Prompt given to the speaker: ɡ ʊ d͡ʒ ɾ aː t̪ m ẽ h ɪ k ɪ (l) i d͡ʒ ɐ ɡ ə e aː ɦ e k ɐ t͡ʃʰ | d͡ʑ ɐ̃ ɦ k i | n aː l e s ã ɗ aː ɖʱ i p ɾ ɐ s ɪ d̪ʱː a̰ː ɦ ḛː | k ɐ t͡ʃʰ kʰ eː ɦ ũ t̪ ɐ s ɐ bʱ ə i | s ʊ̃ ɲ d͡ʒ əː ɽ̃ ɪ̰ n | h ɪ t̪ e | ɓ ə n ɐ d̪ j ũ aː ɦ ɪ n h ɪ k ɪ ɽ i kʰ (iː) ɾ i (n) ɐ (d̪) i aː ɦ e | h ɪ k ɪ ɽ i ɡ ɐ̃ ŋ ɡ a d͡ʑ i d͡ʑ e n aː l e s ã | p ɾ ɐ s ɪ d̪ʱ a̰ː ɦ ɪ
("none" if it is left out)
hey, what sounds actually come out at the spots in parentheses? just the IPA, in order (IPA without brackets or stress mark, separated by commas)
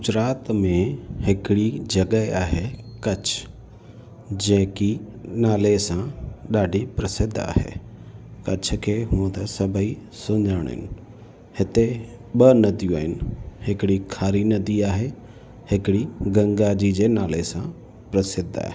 ɽ, aː, n, d̪